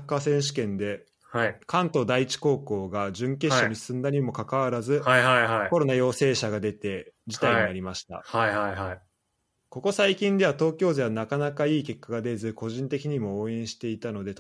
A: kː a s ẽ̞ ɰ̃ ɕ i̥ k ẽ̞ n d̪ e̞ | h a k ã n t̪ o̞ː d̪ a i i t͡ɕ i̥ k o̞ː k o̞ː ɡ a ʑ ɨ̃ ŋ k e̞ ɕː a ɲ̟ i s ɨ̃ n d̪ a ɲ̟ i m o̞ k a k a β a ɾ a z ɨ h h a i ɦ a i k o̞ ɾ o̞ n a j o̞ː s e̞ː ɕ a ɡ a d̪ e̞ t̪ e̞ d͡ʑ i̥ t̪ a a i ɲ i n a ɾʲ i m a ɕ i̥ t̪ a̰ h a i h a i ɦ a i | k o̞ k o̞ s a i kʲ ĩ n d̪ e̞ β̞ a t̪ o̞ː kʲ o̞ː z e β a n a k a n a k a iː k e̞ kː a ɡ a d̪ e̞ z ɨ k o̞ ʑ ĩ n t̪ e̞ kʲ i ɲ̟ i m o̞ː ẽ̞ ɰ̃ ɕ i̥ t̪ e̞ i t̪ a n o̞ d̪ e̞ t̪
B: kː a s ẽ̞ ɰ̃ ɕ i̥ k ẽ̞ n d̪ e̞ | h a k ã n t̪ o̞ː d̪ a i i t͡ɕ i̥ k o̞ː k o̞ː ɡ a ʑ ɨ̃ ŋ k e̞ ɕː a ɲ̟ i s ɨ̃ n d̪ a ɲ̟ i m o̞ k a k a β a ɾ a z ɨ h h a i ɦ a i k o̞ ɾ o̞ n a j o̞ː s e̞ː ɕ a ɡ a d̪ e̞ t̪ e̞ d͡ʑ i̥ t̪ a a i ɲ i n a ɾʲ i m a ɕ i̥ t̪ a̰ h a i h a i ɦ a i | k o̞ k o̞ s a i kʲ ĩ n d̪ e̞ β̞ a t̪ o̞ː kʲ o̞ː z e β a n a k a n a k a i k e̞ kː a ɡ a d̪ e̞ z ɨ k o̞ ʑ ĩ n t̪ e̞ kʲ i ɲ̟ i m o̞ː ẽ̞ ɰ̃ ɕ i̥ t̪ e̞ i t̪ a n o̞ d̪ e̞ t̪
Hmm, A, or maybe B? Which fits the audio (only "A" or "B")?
A